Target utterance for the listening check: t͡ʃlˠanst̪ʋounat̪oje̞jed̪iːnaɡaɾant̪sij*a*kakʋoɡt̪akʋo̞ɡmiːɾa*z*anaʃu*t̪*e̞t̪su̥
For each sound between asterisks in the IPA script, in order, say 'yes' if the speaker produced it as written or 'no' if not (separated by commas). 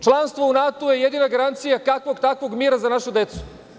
yes, yes, no